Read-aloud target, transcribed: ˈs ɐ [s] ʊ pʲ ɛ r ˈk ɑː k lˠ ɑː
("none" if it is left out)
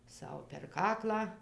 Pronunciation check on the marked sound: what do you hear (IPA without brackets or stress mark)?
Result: none